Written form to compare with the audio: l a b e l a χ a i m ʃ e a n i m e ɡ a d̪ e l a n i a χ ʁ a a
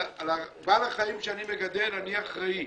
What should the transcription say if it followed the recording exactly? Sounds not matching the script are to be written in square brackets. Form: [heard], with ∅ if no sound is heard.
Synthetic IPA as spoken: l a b [a] l a χ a i m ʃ e a n i m e ɡ a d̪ e l a n i a χ ʁ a [i]